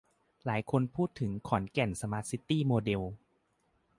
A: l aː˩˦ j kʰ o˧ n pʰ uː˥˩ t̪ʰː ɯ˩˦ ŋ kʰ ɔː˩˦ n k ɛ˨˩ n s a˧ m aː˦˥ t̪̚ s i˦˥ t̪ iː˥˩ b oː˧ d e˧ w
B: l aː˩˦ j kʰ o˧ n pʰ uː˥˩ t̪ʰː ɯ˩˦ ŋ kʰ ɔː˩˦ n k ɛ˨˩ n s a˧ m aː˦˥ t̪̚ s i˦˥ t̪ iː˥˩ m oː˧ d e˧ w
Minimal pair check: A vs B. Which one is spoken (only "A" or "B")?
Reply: B